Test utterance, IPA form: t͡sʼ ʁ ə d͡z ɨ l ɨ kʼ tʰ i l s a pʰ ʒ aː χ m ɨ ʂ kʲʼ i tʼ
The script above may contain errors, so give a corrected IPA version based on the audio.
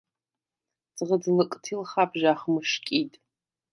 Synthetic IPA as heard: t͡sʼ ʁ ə d͡z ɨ l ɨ kʼ tʰ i l χ a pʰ ʒ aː χ m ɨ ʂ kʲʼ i tʼ